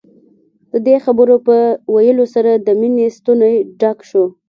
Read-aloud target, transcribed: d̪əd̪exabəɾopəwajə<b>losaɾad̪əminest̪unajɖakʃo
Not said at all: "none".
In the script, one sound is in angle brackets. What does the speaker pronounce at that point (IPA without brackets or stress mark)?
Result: none